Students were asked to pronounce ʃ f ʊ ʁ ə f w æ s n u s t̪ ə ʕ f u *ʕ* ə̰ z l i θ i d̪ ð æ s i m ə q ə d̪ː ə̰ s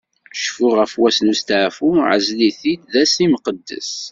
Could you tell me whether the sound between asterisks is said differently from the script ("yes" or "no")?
no